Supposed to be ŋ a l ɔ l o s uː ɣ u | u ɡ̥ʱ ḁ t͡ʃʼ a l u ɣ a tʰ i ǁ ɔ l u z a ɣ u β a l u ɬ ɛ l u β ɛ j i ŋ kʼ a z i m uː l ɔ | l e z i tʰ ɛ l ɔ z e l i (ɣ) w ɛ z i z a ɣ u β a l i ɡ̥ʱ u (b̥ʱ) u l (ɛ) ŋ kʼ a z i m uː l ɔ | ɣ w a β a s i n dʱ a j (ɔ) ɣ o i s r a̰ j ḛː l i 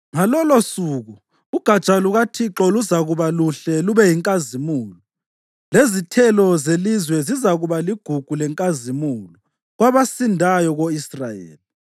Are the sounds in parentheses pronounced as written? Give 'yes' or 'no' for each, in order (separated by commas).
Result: no, no, yes, yes